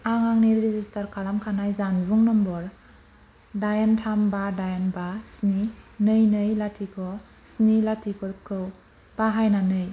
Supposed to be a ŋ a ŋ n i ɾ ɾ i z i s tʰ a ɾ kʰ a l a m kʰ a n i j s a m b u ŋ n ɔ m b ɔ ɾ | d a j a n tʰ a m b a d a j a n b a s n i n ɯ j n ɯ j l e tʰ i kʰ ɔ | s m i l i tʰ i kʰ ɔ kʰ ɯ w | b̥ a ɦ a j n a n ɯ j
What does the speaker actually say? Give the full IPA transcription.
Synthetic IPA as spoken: a ŋ a ŋ n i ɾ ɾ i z i s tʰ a ɾ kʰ a l a m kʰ a n a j z a n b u ŋ n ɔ m b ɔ ɾ | d a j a n tʰ a m b a d a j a n b a s n i n ɯ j n ɯ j l a tʰ i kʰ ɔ | s n i l a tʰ i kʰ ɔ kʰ ɯ w | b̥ a ɦ a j n a n ɯ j